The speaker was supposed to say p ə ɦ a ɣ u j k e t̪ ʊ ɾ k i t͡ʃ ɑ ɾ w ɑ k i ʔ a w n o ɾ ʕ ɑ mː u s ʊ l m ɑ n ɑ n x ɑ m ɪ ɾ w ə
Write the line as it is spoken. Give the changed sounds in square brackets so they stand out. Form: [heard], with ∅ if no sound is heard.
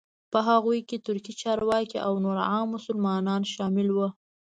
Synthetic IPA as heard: p ə ɦ a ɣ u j k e t̪ ʊ ɾ k i t͡ʃ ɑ ɾ w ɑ k i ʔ a w n o ɾ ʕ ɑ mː [ʊ] s ʊ l m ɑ n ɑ n [ʃ] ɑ m ɪ [l] w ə